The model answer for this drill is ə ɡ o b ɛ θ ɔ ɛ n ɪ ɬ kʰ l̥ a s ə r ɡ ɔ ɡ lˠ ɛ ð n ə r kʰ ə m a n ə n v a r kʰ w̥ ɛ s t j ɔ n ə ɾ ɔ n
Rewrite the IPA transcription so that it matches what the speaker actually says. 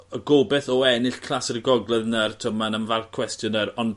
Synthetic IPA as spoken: ə ɡ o b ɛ θ ɔ ɛ n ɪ ɬ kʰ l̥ a s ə r ɡ ɔ ɡ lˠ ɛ ð n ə r tʰ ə m a n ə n v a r kʰ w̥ ɛ s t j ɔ n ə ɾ ɔ n